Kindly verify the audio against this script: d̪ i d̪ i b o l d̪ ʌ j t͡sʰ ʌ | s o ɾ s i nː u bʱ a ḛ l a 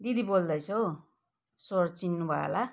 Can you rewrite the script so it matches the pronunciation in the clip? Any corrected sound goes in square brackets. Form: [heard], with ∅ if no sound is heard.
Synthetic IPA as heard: d̪ i d̪ i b o l d̪ ʌ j t͡sʰ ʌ | s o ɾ [t͡s] i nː u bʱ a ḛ l a